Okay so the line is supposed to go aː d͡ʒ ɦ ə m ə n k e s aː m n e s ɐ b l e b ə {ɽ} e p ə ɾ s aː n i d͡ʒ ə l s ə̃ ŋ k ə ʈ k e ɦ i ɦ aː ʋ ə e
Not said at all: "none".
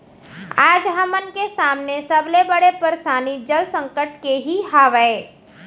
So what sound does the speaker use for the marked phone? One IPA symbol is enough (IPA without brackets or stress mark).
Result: ɽ